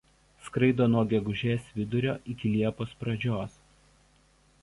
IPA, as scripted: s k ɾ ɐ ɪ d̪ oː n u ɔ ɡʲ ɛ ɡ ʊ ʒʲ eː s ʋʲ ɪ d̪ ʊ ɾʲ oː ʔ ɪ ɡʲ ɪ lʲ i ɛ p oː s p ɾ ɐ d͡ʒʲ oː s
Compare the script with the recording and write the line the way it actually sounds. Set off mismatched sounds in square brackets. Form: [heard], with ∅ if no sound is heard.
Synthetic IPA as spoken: s k ɾ ɐ ɪ d̪ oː n u ɔ ɡʲ ɛ ɡ ʊ ʒʲ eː s ʋʲ ɪ d̪ ʊ ɾʲ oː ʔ ɪ [kʲ] ɪ lʲ i ɛ p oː s p ɾ ɐ d͡ʒʲ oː s